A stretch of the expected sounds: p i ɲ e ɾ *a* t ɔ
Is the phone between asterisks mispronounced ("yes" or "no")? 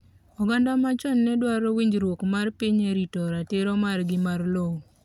yes